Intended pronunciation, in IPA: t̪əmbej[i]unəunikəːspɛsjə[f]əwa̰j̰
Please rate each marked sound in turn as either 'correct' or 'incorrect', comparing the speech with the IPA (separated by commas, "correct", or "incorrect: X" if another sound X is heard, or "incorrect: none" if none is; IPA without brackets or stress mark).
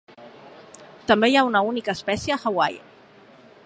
incorrect: a, incorrect: x